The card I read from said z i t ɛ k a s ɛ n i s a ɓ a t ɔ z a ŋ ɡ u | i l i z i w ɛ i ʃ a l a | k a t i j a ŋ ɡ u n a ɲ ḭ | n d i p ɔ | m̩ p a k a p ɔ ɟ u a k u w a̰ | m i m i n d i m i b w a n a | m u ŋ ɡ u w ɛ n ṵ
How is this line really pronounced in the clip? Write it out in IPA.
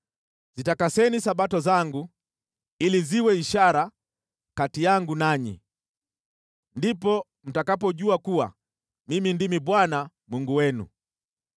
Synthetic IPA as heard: z i t a k a s ɛ n i s a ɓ a t ɔ z a ŋ ɡ u | i l i z i w ɛ i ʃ a ɾ a | k a t i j a ŋ ɡ u n a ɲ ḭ | n d i p ɔ | m̩ t a k a p ɔ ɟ u a k u w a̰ | m i m i n d i m i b w a n a | m u ŋ ɡ u w ɛ n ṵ